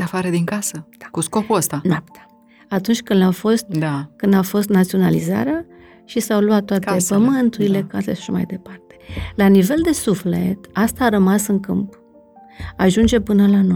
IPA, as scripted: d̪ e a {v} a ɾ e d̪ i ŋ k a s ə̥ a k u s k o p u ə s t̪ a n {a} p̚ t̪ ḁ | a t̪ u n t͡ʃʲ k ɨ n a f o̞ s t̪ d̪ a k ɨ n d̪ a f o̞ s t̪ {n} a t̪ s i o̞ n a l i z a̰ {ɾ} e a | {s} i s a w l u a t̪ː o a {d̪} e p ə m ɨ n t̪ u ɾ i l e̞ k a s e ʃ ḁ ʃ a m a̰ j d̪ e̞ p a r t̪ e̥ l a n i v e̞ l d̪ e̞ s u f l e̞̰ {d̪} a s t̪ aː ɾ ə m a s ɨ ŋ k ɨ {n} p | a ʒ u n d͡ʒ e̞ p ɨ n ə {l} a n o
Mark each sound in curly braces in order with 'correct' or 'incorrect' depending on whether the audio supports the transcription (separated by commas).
incorrect, correct, correct, correct, incorrect, incorrect, incorrect, incorrect, correct